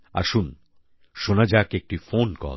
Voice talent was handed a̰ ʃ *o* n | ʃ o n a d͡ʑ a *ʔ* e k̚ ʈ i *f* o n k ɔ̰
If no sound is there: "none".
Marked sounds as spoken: u, k, f

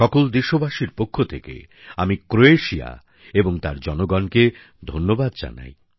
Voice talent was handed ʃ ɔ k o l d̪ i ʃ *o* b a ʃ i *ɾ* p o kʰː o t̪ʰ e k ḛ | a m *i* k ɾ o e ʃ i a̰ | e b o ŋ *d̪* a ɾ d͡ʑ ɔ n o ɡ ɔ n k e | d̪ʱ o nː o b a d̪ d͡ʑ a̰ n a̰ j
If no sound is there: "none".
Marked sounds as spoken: o, ɾ, i, t̪

